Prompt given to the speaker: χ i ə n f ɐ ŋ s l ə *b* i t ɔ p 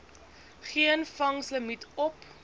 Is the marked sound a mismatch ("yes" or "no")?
yes